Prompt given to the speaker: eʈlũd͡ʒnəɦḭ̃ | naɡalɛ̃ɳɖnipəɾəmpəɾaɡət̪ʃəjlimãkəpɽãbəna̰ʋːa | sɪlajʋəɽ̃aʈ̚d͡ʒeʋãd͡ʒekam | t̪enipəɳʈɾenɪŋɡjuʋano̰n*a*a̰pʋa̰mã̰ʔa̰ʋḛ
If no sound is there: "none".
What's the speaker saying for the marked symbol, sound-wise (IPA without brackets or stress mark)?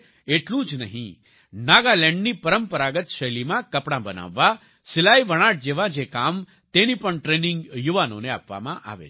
e